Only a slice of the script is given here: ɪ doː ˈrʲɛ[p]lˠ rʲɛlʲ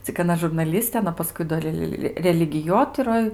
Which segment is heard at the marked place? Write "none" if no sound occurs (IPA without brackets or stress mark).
none